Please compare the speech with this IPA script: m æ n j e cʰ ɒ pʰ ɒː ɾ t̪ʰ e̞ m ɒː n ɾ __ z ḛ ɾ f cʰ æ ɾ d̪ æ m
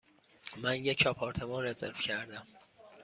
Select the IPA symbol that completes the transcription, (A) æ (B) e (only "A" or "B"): B